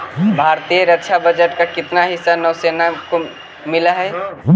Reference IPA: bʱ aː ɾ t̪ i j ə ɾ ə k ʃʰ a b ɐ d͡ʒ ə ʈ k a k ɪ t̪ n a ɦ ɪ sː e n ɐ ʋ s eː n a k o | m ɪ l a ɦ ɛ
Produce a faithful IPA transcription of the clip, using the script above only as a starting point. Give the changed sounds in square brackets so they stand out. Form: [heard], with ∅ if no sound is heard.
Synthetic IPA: bʱ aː ɾ t̪ i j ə ɾ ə k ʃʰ a b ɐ d͡ʒ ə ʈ k a k ɪ t̪ n a ɦ ɪ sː [a] n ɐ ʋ s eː n a k o | m ɪ l a ɦ ɛ